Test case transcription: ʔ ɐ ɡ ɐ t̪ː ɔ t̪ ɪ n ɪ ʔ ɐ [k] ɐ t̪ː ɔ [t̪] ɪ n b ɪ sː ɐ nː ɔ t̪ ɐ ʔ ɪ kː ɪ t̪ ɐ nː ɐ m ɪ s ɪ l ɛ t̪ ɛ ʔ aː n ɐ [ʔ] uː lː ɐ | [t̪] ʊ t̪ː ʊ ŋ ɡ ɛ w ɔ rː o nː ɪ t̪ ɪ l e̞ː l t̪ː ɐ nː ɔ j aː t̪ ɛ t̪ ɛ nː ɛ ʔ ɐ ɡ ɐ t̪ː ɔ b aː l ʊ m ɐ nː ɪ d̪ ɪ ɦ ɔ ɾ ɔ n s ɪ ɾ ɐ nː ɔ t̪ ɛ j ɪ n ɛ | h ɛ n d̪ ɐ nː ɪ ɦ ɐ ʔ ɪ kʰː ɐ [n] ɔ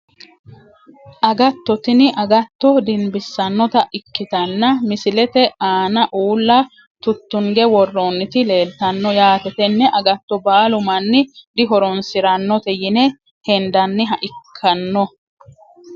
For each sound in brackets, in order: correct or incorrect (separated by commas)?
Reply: incorrect, incorrect, correct, correct, incorrect